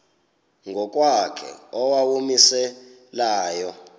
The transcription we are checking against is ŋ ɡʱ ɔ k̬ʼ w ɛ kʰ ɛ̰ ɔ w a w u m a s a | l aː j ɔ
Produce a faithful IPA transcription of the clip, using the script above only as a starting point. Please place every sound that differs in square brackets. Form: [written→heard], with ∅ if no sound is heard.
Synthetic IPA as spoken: ŋ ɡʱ ɔ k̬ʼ w [ɛ→a] kʰ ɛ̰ ɔ w a w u m [a→i] s [a→ɛ] | l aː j ɔ